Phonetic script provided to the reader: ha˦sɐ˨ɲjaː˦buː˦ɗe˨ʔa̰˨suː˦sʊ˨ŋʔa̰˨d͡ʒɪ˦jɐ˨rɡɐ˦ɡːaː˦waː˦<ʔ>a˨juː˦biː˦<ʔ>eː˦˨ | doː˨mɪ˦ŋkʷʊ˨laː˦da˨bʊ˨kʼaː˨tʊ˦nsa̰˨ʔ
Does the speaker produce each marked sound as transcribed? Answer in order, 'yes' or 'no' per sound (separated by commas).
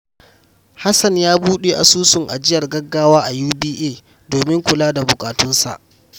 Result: yes, yes